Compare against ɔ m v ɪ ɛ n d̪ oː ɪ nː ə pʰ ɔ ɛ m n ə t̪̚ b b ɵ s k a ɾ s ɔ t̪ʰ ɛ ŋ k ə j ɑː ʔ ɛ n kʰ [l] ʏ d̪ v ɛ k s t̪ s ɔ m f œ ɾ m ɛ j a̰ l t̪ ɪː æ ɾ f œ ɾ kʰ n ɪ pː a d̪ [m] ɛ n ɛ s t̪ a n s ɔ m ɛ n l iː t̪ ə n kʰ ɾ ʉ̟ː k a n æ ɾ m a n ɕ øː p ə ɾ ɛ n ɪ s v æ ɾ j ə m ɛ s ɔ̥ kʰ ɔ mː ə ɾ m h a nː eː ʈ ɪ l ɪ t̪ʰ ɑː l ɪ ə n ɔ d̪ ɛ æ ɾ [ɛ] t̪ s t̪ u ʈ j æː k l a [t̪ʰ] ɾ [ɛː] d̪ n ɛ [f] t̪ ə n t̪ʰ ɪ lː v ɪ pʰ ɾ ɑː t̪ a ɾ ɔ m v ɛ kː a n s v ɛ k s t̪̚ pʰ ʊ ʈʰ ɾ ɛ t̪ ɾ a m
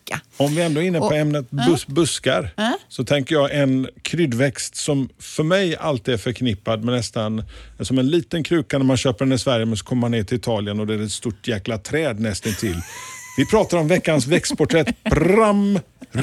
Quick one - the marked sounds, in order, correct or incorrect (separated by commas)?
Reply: incorrect, correct, correct, correct, correct, incorrect